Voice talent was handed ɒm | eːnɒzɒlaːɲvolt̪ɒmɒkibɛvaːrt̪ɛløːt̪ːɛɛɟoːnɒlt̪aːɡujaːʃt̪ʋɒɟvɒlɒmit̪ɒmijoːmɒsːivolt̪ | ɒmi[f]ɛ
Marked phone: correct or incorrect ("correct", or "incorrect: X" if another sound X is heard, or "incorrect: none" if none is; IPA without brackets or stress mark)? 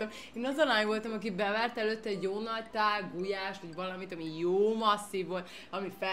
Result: correct